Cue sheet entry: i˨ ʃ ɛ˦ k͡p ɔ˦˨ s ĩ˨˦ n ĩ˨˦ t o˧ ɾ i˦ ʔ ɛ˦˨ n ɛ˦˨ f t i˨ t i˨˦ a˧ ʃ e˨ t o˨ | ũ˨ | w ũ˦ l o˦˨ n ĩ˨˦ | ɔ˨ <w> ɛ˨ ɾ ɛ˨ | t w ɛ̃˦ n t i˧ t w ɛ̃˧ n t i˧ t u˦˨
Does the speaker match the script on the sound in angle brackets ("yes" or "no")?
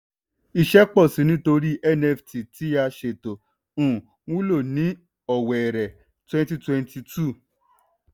yes